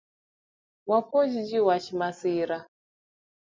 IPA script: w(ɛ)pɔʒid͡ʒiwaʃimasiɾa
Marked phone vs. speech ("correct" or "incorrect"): incorrect